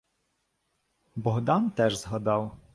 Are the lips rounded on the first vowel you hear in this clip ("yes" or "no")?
yes